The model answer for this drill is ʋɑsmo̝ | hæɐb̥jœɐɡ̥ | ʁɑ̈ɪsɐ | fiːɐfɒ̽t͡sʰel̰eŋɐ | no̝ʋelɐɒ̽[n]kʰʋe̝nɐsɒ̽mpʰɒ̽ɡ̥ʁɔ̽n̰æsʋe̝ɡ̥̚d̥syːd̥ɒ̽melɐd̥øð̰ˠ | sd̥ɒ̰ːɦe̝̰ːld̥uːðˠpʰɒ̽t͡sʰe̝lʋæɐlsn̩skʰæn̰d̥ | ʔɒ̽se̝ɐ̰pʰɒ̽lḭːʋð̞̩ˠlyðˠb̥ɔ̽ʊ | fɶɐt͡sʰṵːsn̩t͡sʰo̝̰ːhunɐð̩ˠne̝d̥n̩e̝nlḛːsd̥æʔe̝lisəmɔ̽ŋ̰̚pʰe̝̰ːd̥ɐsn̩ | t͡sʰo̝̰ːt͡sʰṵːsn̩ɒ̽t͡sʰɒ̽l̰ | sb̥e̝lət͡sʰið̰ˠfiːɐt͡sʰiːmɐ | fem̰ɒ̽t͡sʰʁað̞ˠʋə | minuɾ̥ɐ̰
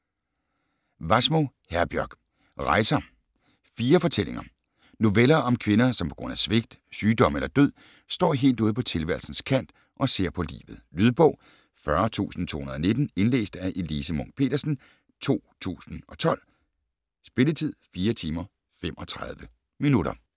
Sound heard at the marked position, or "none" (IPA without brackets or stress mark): m